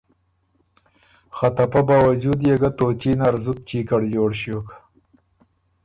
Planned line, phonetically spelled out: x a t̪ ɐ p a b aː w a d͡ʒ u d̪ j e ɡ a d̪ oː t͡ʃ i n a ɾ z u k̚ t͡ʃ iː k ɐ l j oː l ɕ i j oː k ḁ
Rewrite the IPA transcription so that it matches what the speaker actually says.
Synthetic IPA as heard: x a t̪ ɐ p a b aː w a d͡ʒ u d̪ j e ɡ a t̪ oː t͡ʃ i n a ɾ z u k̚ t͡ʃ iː k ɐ ɽ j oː ɽ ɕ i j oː k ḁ

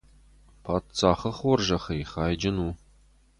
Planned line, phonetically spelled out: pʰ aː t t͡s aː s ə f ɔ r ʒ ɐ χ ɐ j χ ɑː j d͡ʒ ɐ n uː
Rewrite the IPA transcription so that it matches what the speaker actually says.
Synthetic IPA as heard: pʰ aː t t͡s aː χ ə χ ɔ r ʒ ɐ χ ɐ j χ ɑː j d͡ʒ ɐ n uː

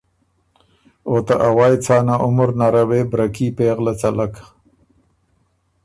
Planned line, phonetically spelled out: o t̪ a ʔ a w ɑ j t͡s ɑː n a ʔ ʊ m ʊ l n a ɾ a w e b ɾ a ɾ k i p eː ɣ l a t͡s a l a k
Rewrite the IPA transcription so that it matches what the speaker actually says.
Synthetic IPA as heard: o t̪ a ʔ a w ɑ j t͡s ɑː n a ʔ ʊ m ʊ ɾ n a ɾ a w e b ɾ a k i p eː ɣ l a t͡s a l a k

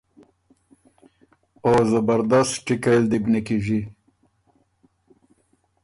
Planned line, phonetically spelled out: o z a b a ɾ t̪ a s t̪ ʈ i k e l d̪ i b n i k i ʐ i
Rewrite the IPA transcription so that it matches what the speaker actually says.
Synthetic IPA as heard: o z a b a ɾ d̪ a s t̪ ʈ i k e l d̪ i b n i k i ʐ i

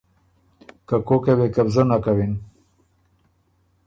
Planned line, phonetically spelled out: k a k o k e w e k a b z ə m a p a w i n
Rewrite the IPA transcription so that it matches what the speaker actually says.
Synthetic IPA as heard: k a k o k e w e k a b z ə n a k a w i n

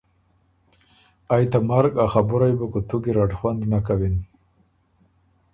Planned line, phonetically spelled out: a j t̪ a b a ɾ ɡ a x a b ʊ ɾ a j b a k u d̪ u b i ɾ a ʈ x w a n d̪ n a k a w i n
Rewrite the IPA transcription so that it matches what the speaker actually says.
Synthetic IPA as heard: a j t̪ a m a ɾ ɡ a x a b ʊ ɾ a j b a k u t̪ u ɡ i ɾ a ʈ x w a n d̪ n a k a w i n

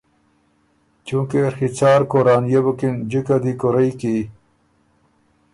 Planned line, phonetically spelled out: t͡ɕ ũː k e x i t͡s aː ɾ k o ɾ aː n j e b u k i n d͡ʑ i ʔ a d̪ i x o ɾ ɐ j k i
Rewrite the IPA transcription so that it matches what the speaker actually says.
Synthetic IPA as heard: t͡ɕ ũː k e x i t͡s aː ɾ k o ɾ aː n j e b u k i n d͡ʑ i k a d̪ i k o ɾ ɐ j k i

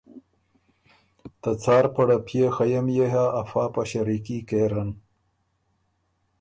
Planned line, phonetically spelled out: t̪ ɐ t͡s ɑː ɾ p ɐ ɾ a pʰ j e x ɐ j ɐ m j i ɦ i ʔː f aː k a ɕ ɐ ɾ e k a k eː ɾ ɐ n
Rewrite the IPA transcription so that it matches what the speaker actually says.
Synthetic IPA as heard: t̪ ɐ t͡s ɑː ɾ p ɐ ɽ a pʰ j e x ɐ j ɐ m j e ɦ a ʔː f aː p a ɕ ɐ ɾ i k i k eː ɾ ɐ n

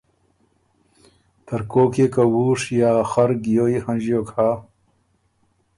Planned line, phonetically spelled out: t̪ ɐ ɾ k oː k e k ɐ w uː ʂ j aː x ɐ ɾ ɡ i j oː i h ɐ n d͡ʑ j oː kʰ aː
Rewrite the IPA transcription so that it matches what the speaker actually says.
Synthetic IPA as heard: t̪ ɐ ɾ k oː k e k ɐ w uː ʂ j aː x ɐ ɾ ɡ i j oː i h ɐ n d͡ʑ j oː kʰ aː

